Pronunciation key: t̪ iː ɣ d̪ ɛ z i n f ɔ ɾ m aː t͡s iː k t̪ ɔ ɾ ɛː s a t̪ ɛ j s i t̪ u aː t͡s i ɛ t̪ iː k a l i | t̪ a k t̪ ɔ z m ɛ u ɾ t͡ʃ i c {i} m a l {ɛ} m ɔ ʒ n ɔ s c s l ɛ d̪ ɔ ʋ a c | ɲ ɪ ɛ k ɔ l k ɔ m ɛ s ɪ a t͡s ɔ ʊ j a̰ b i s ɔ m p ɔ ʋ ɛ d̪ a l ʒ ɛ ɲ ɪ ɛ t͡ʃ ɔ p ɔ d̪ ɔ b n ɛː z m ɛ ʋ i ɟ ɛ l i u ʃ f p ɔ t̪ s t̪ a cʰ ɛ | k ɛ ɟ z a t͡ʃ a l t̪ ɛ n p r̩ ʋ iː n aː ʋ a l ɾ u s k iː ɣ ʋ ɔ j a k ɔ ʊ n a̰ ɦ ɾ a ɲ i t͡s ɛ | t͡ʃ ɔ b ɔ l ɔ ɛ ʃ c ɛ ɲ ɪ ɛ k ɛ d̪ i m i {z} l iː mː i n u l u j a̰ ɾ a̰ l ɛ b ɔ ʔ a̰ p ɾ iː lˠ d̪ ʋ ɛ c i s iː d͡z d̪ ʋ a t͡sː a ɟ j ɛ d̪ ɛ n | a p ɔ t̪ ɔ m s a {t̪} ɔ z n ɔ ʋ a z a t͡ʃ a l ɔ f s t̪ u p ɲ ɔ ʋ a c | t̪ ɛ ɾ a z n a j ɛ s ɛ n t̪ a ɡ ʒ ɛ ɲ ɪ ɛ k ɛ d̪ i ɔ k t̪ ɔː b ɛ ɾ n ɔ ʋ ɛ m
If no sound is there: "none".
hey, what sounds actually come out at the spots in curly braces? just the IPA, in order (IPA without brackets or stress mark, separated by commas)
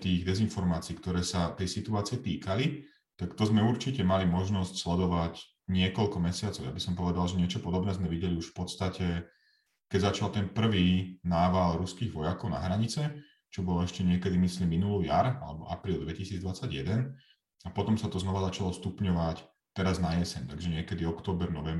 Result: ɛ, i, s, t̪